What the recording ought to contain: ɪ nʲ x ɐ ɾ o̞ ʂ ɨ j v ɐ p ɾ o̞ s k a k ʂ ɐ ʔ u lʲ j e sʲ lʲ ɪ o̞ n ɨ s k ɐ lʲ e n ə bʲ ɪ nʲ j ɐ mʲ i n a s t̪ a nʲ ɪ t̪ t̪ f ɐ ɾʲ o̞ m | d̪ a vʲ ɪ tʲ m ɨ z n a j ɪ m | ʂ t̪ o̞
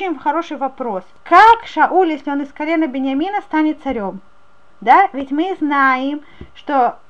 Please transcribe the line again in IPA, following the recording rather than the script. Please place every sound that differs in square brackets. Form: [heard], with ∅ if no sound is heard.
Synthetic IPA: ɪ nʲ x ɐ ɾ o̞ ʂ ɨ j v ɐ p ɾ o̞ s k a k ʂ ɐ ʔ u lʲ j e sʲ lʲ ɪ o̞ n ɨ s k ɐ lʲ e n ə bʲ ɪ nʲ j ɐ mʲ i n [ə] s t̪ a nʲ ɪ t̪ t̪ [s] ɐ ɾʲ o̞ m | d̪ a vʲ ɪ tʲ m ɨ z n a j ɪ m | ʂ t̪ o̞